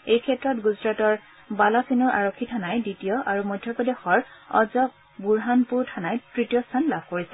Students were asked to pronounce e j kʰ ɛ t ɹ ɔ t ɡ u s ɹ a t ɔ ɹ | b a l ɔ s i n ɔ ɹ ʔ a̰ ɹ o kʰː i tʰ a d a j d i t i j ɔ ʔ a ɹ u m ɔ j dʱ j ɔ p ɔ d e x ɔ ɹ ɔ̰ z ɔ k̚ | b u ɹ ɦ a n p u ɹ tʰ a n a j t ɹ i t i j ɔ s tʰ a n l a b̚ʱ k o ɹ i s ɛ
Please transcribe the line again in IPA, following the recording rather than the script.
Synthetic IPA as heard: e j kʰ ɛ t ɹ ɔ t ɡ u z ɹ a t ɔ ɹ | b a l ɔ s i n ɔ ɹ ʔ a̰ ɹ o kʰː i tʰ a n a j d i t i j ɔ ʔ a ɹ u m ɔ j dʱ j ɔ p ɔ d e x ɔ ɹ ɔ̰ z ɔ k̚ | b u ɹ ɦ a n p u ɹ tʰ a n a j t ɹ i t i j ɔ s tʰ a n l a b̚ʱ k o ɹ i s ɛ